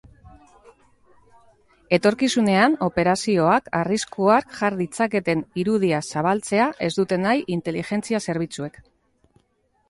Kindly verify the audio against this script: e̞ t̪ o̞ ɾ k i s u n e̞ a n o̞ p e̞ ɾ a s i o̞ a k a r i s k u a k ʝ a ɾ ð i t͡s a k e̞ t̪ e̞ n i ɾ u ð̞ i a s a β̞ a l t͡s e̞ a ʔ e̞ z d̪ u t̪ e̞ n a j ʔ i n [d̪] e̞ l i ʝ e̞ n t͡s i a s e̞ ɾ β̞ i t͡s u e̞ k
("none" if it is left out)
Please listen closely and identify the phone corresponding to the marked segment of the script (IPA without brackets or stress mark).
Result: t̪